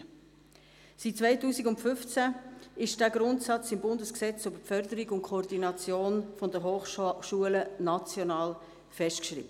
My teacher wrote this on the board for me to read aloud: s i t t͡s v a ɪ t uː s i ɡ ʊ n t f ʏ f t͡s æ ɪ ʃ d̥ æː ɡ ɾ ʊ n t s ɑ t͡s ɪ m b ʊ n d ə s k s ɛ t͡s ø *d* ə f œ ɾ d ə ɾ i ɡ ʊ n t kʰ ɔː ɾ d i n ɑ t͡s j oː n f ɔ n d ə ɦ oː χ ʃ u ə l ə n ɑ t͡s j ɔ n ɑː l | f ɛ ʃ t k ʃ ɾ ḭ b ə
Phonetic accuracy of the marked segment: incorrect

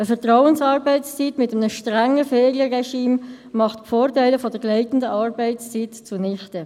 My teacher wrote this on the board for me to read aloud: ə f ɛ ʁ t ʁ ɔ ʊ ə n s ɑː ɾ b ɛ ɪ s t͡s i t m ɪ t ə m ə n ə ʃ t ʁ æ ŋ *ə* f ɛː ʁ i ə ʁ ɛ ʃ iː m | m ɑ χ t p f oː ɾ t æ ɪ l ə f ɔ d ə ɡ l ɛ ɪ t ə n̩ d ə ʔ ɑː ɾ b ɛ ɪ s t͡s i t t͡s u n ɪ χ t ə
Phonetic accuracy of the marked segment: correct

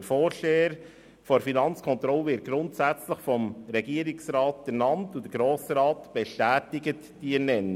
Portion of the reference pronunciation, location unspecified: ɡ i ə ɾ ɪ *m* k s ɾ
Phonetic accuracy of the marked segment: incorrect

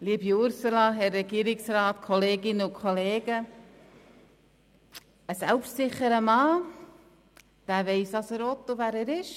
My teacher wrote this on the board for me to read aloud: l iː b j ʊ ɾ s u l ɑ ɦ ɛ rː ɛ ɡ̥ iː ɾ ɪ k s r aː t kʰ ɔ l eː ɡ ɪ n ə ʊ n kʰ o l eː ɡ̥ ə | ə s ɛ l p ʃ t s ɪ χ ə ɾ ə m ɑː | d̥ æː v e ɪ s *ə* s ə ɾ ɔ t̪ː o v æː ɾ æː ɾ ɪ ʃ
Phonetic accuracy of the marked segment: incorrect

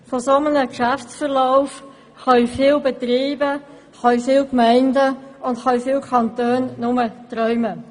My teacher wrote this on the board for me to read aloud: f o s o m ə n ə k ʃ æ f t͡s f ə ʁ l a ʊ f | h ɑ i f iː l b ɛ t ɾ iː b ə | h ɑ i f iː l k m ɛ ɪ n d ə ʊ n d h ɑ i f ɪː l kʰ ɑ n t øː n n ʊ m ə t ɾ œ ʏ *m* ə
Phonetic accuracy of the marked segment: correct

